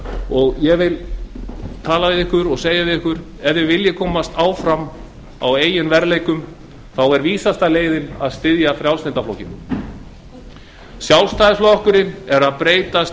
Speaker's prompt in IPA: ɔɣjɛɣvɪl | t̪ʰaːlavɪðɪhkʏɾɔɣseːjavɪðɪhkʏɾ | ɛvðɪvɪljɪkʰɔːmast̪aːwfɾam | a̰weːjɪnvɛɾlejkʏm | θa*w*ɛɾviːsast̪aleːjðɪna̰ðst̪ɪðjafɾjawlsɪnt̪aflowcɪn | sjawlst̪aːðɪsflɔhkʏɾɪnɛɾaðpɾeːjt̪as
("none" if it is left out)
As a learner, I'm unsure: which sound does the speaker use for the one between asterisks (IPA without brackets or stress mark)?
w